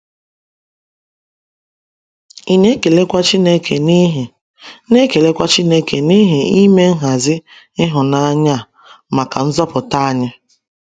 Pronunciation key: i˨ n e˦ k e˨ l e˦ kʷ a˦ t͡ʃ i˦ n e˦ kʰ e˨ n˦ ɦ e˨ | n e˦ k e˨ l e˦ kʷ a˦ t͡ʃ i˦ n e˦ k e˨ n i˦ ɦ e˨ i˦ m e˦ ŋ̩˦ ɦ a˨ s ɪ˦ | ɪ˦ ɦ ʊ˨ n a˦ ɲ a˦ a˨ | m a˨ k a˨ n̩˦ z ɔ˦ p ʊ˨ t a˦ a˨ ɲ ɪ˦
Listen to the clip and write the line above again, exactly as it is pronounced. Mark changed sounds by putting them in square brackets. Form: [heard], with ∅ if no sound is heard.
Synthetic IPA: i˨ n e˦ k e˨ l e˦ kʷ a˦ t͡ʃ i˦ n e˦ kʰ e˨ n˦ ɦ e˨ | n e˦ k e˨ l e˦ kʷ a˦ t͡ʃ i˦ n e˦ k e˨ n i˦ ɦ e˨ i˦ m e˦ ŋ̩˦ ɦ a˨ [z] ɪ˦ | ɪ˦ ɦ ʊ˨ n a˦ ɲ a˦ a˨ | m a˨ k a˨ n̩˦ z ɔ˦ p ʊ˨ t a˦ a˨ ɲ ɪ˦